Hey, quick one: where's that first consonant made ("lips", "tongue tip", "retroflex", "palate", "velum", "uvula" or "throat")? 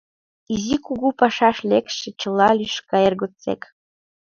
tongue tip